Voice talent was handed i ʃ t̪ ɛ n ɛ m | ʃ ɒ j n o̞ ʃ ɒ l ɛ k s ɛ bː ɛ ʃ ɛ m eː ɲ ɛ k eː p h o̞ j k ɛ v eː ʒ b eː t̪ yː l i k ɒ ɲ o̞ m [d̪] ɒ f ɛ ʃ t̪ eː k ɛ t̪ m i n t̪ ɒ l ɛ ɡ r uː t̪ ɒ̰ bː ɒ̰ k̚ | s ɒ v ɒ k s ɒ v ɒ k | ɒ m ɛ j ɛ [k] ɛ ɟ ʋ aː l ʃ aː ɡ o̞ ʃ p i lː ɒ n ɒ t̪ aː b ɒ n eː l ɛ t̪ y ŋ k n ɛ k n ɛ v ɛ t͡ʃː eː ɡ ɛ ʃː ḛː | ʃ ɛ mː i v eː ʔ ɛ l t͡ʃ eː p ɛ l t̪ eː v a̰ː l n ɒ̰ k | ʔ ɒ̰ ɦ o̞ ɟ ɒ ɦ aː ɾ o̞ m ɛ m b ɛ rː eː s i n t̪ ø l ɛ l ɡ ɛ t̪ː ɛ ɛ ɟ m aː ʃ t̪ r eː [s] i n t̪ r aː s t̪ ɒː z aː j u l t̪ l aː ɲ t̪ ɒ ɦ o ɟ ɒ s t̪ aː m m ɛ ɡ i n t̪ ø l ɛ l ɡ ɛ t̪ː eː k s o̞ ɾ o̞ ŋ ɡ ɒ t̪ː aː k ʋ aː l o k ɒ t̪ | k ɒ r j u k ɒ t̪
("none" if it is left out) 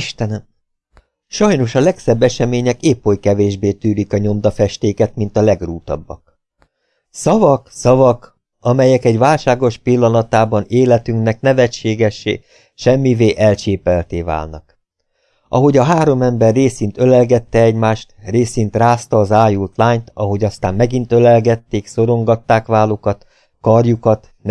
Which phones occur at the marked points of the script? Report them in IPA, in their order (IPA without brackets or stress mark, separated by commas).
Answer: d̪, k, s